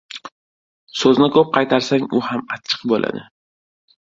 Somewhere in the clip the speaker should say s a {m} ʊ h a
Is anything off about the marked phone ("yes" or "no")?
yes